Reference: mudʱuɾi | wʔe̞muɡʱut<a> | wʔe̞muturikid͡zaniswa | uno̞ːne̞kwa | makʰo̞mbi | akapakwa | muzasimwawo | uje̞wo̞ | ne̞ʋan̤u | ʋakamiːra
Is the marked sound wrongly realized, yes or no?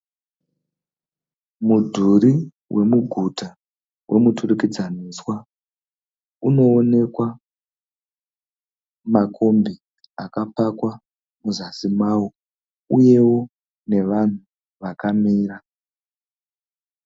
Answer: no